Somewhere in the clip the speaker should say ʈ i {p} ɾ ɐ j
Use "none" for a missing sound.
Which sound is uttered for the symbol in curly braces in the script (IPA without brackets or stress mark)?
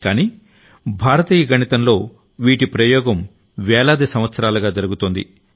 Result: p